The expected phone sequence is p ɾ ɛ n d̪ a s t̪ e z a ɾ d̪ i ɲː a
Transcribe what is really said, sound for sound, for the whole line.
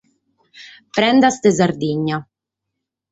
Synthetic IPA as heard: p ɾ ɛ n d̪ a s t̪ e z a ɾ d̪ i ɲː a

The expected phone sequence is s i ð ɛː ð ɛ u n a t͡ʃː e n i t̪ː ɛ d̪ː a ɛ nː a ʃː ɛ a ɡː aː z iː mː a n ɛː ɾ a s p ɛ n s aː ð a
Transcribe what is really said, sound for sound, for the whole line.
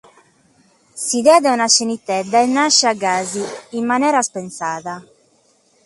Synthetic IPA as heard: s i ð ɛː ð ɛ u n a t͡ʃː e n i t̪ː ɛ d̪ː a ɛ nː a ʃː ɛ a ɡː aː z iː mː a n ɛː ɾ a s p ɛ n s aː ð a

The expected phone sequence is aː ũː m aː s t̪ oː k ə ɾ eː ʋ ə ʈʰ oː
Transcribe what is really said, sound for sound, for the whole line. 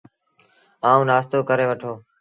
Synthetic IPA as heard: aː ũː n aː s t̪ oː k ə ɾ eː ʋ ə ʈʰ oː

